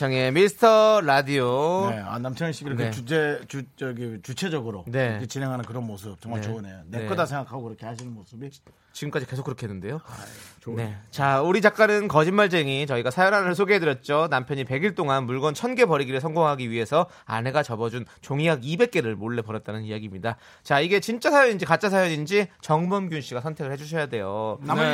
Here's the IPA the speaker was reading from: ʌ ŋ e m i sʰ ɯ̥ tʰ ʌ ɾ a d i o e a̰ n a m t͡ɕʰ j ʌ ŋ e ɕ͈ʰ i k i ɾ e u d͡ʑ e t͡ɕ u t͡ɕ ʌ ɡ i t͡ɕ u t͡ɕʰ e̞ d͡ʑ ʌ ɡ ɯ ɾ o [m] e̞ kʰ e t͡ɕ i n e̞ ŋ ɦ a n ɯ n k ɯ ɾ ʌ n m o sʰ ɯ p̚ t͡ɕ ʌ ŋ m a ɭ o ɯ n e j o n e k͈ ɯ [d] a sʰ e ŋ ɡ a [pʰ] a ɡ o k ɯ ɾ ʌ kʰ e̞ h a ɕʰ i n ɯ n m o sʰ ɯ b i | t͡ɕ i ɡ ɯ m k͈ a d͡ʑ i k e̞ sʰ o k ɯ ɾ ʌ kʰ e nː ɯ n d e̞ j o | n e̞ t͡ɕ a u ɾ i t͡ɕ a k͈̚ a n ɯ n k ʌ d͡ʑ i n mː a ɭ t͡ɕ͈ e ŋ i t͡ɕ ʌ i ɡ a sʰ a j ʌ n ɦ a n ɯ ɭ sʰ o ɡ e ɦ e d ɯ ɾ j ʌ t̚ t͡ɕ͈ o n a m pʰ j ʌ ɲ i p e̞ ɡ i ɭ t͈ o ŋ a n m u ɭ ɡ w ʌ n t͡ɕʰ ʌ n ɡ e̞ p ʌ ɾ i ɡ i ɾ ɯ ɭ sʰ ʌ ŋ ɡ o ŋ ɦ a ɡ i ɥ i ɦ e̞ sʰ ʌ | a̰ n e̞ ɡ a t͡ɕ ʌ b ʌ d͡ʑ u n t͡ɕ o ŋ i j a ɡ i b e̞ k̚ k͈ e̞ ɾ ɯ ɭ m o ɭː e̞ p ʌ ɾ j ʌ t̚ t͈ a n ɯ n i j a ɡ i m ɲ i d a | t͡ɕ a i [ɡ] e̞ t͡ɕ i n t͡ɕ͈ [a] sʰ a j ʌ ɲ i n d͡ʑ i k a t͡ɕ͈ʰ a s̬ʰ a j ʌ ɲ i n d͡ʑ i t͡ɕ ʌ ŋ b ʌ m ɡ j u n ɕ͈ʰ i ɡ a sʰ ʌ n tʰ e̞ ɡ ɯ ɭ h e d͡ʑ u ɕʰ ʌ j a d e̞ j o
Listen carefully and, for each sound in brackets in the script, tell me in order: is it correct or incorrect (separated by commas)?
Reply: incorrect, correct, incorrect, correct, correct